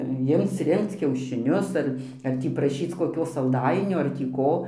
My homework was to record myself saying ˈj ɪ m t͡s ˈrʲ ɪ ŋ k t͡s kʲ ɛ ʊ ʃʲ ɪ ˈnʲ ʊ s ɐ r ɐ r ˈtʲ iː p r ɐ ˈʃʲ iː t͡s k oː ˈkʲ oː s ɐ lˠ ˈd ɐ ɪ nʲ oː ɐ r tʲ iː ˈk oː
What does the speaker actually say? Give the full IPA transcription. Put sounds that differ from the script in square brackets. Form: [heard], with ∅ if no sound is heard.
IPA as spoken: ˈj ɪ m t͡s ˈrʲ ɪ ŋ k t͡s kʲ ɛ ʊ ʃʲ ɪ ˈnʲ ʊ s ɐ r ɐ r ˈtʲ iː p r ɐ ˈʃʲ iː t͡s k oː ˈkʲ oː s ɐ lˠ ˈd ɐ ɪ nʲ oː ɐ r tʲ iː ˈk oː